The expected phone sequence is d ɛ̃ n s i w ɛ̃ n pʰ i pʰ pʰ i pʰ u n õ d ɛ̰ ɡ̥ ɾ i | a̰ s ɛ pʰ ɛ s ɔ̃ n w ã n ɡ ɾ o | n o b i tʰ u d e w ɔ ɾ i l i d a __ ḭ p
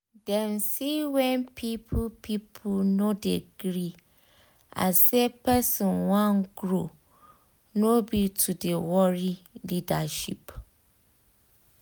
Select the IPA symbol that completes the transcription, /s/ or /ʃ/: ʃ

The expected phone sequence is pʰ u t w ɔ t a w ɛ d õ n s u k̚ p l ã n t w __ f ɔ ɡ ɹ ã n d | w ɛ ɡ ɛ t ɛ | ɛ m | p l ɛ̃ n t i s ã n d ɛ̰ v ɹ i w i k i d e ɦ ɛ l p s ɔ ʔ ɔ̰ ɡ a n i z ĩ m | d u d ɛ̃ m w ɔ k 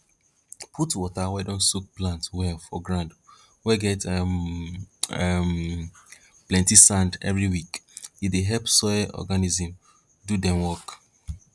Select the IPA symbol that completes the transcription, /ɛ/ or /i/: ɛ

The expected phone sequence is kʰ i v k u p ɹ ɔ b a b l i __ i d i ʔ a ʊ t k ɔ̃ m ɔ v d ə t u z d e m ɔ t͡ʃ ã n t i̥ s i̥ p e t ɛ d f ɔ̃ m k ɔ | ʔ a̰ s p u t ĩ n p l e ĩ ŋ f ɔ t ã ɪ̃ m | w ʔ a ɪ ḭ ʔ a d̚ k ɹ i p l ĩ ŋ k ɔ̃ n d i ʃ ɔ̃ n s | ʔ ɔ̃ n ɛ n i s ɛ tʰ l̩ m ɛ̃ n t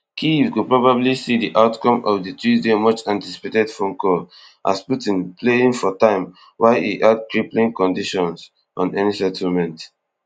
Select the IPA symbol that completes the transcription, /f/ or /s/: s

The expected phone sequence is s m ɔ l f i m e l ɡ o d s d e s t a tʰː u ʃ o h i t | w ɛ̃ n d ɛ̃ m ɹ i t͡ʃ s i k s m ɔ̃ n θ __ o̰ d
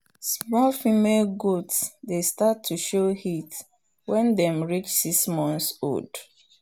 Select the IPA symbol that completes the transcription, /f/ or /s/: s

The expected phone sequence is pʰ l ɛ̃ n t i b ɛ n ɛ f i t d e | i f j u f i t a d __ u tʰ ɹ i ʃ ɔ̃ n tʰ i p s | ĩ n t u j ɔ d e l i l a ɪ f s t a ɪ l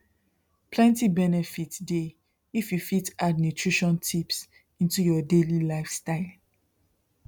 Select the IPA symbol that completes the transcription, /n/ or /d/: n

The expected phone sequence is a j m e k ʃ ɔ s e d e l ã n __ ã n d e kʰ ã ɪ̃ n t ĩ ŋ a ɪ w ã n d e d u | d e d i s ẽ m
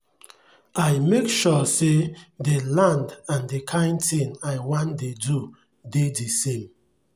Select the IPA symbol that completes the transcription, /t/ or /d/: d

